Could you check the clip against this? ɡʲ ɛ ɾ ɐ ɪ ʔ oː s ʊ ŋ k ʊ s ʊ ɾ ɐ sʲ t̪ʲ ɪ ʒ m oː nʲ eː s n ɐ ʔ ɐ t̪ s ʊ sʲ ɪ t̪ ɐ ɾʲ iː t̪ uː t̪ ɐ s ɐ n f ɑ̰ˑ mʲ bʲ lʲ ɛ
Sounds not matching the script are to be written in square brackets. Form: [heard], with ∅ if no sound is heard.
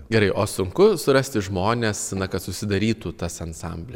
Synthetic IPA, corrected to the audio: ɡʲ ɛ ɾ ɐ ɪ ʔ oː s ʊ ŋ k ʊ s ʊ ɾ ɐ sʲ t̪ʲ ɪ ʒ m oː nʲ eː s n ɐ [k] ɐ t̪ s ʊ sʲ ɪ [d̪] ɐ ɾʲ iː t̪ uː t̪ ɐ s ɐ n [s] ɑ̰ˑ mʲ bʲ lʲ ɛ